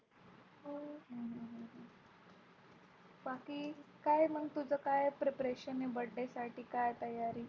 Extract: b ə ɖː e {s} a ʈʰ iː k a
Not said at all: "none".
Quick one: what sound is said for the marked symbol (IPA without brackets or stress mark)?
s